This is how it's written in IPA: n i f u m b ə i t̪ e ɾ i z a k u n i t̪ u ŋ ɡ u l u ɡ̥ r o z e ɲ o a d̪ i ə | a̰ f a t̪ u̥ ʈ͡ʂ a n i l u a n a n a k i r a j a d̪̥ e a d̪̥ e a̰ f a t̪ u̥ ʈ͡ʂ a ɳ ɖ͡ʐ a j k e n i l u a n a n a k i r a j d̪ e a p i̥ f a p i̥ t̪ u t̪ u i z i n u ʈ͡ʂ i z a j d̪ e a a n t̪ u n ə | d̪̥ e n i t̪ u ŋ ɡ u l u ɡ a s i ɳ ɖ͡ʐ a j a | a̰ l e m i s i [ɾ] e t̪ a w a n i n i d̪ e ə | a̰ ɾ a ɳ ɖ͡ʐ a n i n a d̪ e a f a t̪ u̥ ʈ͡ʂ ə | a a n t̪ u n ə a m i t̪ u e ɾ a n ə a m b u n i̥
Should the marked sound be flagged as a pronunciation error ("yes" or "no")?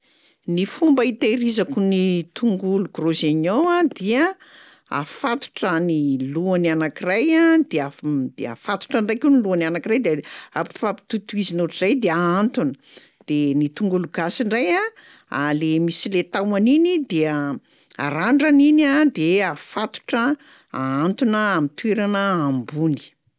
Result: yes